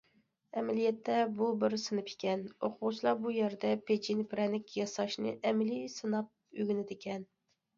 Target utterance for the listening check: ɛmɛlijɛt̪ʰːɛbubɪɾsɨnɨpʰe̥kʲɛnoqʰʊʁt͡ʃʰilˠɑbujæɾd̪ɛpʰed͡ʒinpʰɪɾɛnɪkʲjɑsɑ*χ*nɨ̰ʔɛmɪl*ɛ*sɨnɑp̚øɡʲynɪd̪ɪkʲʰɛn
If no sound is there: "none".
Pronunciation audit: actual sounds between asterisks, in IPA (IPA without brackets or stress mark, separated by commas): ʃ, i